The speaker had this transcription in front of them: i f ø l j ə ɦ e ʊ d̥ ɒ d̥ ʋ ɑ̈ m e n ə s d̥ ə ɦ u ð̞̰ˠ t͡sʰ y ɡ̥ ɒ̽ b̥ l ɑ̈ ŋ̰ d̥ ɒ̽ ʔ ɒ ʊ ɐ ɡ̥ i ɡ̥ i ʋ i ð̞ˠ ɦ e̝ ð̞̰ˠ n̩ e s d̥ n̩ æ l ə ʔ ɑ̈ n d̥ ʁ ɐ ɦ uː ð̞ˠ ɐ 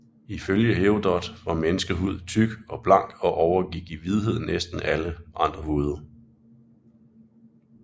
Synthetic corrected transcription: i f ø l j ə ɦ e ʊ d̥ ɒ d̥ ʋ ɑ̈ m e n ə s ɡ̥ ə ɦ u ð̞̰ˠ t͡sʰ y ɡ̥ ɒ̽ b̥ l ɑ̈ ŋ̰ ɡ̥ ɒ̽ ʔ ɒ ʊ ɐ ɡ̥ i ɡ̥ i ʋ i ð̞ˠ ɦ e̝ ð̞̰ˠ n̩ e s d̥ n̩ æ l ə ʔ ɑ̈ n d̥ ʁ ɐ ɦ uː ð̞ˠ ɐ